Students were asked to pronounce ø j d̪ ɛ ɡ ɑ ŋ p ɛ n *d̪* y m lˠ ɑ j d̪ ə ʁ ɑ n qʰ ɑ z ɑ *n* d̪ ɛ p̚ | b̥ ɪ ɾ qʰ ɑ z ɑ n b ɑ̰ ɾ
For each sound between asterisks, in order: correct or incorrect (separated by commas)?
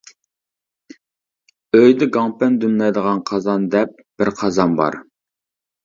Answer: correct, correct